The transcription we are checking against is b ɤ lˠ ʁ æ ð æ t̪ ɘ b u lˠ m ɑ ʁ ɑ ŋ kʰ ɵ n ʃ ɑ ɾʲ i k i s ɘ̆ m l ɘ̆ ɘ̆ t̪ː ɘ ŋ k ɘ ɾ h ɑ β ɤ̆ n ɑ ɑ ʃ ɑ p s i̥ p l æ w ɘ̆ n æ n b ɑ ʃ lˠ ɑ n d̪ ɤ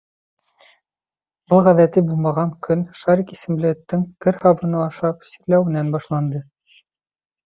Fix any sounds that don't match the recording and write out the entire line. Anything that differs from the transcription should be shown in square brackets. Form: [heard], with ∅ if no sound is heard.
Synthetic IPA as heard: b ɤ lˠ ʁ æ ð æ t̪ ɘ b u lˠ m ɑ ʁ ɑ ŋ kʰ ɵ n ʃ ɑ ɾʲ i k i s ɘ̆ m l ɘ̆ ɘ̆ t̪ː ɘ ŋ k ɘ ɾ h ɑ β ɤ̆ n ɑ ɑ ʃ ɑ p s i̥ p l æ w ɘ̆ n æ n b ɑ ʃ lˠ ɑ n d̪ ɤ